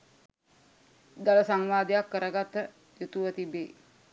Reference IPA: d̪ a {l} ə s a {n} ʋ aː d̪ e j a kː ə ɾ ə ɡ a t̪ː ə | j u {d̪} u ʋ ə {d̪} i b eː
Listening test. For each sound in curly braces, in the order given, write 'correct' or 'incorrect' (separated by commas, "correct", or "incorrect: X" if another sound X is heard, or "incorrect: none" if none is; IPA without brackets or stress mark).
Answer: correct, incorrect: ŋ, incorrect: t̪, incorrect: t̪